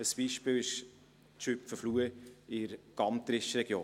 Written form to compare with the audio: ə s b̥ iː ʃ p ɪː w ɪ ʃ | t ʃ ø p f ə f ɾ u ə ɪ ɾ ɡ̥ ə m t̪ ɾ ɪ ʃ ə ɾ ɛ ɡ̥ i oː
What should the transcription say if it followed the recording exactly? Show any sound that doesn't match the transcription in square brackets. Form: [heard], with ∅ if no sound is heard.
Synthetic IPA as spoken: ə s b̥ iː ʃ p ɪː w ɪ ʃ | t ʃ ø p f ə f [l] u ə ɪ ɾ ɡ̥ [ɑ] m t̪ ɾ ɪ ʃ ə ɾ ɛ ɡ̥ [j] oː